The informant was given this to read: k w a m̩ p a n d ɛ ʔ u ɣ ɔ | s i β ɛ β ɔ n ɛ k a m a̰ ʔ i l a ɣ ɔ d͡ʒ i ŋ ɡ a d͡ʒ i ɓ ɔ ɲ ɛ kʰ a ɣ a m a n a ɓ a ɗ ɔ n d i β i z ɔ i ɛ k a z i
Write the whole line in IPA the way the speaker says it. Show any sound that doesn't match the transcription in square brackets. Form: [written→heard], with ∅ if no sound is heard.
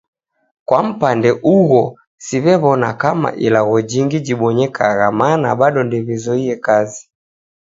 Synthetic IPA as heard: k w a m̩ p a n d ɛ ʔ u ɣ ɔ | s i β ɛ β ɔ n [ɛ→a] k a m a̰ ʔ i l a ɣ ɔ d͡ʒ i ŋ ɡ [a→i] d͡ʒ i ɓ ɔ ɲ ɛ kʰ a ɣ a m a n a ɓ a ɗ ɔ n d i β i z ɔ i ɛ k a z i